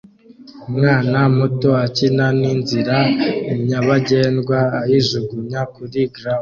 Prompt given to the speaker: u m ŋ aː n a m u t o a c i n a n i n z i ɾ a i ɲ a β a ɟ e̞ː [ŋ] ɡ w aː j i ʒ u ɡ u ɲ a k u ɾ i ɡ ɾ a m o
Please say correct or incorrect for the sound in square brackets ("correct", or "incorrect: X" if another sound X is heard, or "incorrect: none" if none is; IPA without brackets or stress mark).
incorrect: n